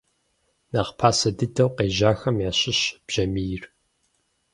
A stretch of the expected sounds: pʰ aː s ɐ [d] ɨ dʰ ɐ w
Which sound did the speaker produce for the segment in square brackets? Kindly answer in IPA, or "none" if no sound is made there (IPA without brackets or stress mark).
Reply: d